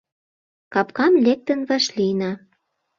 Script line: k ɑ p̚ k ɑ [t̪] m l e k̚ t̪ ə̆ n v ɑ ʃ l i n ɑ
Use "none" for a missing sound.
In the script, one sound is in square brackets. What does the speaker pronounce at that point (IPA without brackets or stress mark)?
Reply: none